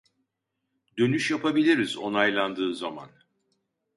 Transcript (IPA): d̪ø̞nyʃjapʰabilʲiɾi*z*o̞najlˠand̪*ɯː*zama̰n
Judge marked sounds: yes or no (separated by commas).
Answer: yes, yes